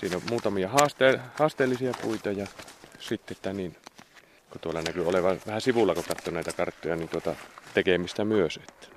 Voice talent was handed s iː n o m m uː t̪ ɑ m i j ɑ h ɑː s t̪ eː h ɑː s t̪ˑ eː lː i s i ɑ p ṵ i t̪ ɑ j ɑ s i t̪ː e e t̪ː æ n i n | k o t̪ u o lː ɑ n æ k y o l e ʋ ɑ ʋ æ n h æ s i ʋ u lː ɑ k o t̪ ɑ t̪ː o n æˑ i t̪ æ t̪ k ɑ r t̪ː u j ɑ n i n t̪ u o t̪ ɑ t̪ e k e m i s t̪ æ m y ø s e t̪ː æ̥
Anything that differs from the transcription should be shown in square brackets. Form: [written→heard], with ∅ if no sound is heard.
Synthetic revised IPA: s iː n o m m uː t̪ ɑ m i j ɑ h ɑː s t̪ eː h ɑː s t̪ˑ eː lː i s i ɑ p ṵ i t̪ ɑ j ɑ s i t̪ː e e t̪ː æ n i n | k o t̪ u o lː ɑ n æ k y o l e ʋ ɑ ʋ æ [n→∅] h æ s i ʋ u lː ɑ k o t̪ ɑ t̪ː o n æˑ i t̪ æ [t̪→∅] k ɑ r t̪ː [u→o] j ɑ n i n t̪ u o t̪ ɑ t̪ e k e m i s t̪ æ m y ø s e t̪ː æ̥